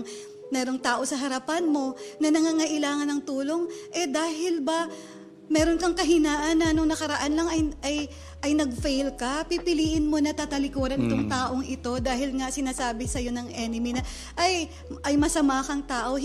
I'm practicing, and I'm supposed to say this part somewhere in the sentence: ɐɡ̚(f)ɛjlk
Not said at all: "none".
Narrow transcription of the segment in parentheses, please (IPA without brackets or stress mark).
f